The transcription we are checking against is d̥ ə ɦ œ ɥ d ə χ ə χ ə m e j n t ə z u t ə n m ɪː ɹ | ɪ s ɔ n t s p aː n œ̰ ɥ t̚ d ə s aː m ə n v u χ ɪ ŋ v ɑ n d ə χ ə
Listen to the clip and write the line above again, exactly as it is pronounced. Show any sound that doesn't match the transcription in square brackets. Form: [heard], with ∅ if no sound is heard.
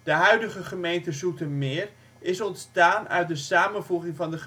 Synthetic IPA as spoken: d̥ ə ɦ œ ɥ d ə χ ə χ ə m e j n t ə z u t ə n m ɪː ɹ | ɪ s ɔ n t s [t] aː n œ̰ ɥ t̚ d ə s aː m ə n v u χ ɪ ŋ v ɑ n d ə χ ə